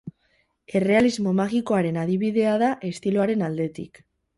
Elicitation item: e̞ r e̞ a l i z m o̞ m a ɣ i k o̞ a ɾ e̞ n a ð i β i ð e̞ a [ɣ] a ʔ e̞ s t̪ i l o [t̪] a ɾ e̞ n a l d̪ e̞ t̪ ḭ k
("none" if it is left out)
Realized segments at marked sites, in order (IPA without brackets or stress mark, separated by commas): ð, none